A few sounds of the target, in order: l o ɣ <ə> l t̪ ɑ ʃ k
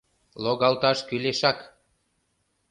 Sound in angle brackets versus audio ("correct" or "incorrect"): incorrect